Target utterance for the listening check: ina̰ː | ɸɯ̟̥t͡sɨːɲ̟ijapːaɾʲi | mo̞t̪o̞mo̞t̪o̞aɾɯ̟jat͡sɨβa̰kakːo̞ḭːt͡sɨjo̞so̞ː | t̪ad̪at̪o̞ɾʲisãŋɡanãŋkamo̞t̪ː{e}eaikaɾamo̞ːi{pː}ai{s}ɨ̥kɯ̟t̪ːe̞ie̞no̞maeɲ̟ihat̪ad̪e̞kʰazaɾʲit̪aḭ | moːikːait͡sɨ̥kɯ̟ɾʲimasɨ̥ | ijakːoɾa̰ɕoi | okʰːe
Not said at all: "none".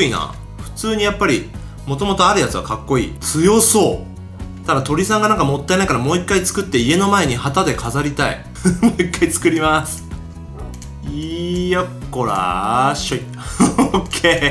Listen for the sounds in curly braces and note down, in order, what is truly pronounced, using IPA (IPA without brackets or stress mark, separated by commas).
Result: a, kː, t͡s